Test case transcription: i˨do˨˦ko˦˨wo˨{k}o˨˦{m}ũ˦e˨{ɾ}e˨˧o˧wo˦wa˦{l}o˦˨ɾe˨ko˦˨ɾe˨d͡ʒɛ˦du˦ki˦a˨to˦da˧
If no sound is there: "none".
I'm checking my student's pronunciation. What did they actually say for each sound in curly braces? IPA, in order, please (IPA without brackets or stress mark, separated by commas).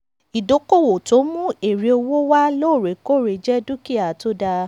t, m, ɾ, l